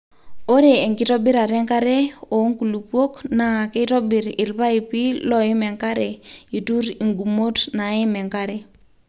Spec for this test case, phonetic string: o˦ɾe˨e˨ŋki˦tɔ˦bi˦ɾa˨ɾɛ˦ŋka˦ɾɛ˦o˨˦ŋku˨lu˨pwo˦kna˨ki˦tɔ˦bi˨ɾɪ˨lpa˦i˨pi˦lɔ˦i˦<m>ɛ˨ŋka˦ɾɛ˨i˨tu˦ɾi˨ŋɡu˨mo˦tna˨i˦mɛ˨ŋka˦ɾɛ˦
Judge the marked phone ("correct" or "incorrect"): correct